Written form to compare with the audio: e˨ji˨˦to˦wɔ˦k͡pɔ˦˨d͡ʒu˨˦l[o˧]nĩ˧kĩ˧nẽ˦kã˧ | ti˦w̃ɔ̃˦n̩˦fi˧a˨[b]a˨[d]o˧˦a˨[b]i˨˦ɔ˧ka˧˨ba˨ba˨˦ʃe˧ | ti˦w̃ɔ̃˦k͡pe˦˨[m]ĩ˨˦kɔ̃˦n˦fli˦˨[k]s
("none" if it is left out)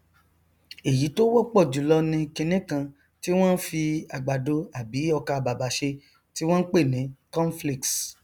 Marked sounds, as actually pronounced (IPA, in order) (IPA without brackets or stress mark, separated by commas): ɔ˧, ɡ͡b, d, b, n, k